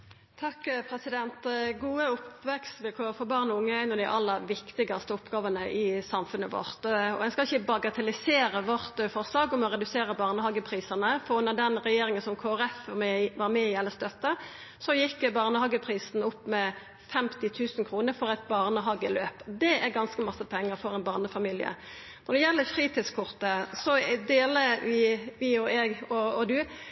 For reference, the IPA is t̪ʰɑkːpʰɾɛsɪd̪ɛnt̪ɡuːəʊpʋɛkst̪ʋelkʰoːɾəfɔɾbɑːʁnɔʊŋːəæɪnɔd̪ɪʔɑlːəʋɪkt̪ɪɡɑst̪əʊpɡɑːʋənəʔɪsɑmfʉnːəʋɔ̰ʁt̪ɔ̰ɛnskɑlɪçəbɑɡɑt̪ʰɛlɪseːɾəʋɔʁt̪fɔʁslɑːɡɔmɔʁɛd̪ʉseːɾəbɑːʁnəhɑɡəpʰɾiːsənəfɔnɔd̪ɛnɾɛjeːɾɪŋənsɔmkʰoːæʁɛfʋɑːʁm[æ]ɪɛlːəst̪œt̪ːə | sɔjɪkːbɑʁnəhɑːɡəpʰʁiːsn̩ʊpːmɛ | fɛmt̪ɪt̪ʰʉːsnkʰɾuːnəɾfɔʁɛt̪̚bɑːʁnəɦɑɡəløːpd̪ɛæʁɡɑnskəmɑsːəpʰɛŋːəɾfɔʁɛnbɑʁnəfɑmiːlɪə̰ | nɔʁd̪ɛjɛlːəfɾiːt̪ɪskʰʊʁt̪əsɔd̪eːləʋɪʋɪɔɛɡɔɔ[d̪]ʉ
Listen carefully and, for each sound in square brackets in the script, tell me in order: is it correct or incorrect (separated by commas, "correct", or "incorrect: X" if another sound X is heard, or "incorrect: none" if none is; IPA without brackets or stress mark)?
incorrect: ɛ, correct